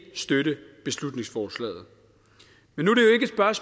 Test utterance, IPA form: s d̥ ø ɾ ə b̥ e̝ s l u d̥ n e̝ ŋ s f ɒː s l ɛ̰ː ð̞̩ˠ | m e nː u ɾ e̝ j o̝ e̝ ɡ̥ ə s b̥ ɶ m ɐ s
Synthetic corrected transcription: s d̥ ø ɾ ə b̥ e̝ s l u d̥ n e̝ ŋ s f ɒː s l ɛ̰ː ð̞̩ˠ | m e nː u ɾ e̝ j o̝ e̝ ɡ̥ ə s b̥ ɶ ɐ s

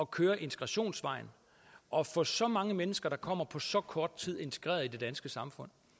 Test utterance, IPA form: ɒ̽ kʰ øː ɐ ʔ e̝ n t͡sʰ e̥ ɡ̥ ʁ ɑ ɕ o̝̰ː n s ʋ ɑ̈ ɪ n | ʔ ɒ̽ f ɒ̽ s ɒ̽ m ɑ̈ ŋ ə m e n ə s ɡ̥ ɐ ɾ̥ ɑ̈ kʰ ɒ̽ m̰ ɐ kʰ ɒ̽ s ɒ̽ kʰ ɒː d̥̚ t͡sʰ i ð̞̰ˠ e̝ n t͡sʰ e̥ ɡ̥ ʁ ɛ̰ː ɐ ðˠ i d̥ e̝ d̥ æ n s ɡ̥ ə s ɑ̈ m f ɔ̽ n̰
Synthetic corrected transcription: ɒ̽ kʰ øː ɐ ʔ e̝ n t͡sʰ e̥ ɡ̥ ʁ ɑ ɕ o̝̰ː n s ʋ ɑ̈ ɪ n | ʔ ɒ̽ f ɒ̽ s ɒ̽ m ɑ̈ ŋ ə m e n ə s ɡ̥ ɐ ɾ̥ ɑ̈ kʰ ɒ̽ m̰ ɐ pʰ ɒ̽ s ɒ̽ kʰ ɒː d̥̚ t͡sʰ i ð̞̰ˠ e̝ n t͡sʰ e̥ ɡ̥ ʁ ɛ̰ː ɐ ðˠ i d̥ e̝ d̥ æ n s ɡ̥ ə s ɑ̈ m f ɔ̽ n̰

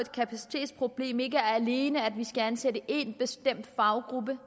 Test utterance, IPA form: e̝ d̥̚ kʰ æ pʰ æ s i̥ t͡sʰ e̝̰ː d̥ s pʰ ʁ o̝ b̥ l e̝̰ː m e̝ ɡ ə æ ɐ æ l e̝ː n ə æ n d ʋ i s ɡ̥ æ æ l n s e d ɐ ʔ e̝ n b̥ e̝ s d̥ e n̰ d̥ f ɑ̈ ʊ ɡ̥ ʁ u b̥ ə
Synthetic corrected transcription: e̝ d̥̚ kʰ æ pʰ æ s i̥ t͡sʰ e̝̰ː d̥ s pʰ ʁ o̝ b̥ l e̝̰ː m e̝ ɡ ə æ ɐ æ l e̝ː n ə æ d ʋ i s ɡ̥ æ æ n s e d ə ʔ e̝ n b̥ e̝ s d̥ e m̰ d̥ f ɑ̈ ʊ ɡ̥ ʁ u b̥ ə

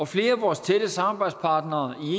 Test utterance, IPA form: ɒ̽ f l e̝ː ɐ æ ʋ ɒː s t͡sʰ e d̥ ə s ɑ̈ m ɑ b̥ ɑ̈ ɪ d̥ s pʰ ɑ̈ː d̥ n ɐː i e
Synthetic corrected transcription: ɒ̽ f l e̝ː ɐ æ ʋ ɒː s t͡sʰ e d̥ ə s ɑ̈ m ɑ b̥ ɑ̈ ɪ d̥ s pʰ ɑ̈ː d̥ n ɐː i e

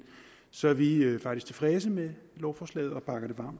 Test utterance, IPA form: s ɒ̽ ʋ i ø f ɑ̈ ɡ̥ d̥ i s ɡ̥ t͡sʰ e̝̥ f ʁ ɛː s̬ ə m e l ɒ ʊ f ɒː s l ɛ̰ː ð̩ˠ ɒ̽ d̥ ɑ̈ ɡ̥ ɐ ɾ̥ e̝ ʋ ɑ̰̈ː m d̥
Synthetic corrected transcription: s ɒ̽ ʋ i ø f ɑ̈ ɡ̥ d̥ i s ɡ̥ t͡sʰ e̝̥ f ʁ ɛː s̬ ə m e l ɒ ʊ f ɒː s l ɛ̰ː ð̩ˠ ɒ̽ b̥ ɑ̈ ɡ̥ ɐ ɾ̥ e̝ ʋ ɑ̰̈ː m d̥

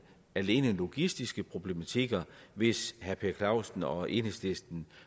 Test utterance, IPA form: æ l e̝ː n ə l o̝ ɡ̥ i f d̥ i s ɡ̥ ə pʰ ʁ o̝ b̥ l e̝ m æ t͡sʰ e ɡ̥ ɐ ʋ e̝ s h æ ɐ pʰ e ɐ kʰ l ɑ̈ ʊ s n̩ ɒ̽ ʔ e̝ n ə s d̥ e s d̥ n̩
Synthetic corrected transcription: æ l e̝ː n ə l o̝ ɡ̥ i s d̥ i s ɡ̥ ə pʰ ʁ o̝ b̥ l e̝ m æ t͡sʰ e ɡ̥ ɐ ʋ e̝ s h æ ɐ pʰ e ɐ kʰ l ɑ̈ ʊ s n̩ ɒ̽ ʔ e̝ n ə s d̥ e s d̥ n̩

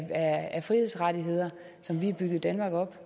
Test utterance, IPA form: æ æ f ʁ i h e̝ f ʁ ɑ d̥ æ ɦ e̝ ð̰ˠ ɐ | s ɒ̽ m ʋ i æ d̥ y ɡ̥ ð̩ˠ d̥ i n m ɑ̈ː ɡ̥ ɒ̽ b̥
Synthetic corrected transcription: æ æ f ʁ i h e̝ s ʁ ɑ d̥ i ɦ e̝ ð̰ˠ ɐ | s ɒ̽ m ʋ i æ b̥ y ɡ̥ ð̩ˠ d̥ æ n m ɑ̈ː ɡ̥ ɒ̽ b̥

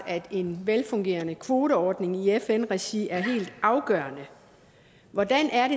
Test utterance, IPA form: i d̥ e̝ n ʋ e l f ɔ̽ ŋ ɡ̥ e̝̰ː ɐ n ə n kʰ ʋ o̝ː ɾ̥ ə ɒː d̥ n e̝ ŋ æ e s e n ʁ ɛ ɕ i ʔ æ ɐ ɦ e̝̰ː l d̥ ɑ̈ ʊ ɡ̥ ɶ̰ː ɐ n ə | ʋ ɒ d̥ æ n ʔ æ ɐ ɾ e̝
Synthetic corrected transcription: æ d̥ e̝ n ʋ e l f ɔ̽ ŋ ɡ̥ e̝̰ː ɐ n ə kʰ ʋ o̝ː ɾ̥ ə ɒː d̥ n e̝ ŋ i e f e n ʁ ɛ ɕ i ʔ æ ɐ ɦ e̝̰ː l d̥ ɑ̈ ʊ ɡ̥ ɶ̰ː ɐ n ə | ʋ ɒ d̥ æ n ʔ æ ɐ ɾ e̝

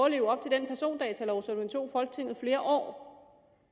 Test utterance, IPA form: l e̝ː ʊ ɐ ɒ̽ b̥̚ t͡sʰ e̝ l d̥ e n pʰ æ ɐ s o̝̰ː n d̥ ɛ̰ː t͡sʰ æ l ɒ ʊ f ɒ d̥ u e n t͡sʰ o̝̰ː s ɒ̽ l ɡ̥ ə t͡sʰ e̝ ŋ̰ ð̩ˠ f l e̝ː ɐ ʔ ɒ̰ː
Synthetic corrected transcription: l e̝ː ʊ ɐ ɒ̽ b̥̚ t͡sʰ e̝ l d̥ e n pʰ æ ɐ s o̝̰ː n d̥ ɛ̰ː t͡sʰ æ l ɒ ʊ s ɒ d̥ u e n t͡sʰ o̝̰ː f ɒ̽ l ɡ̥ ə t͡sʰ e̝ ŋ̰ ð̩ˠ f l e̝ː ɐ ʔ ɒ̰ː

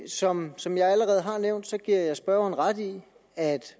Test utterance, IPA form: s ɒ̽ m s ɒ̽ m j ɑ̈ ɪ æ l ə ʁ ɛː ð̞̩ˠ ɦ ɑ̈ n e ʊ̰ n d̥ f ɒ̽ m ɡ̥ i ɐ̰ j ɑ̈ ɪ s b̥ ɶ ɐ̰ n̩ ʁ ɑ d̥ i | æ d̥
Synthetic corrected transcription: s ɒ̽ m s ɒ̽ m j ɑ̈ ɪ æ l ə ʁ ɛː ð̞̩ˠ ɦ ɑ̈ n e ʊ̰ n d̥ s ɒ̽ ɡ̥ i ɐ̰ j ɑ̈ ɪ s b̥ ɶ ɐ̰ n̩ ʁ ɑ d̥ i | æ d̥

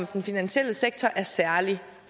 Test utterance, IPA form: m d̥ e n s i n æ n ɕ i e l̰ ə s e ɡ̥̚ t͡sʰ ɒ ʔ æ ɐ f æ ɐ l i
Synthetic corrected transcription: m d̥ e n f i n æ n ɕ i e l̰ ə s e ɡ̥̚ t͡sʰ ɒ ʔ æ ɐ s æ ɐ l i

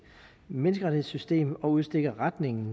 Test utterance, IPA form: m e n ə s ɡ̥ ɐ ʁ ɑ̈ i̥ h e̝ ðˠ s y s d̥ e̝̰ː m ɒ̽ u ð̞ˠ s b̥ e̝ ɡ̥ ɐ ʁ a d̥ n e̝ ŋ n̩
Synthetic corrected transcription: m e n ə s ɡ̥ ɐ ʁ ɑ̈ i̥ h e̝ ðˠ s y s d̥ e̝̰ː m ɒ̽ u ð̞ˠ s d̥ e̝ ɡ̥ ɐ ʁ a d̥ n e̝ ŋ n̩

